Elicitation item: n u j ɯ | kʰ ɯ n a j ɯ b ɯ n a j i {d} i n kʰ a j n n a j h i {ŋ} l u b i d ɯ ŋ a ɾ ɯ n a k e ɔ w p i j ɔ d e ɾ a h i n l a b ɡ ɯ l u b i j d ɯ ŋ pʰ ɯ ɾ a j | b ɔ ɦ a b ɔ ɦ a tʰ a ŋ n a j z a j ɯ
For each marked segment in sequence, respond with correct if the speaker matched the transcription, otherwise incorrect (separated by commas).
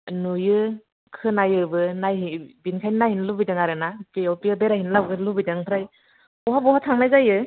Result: incorrect, incorrect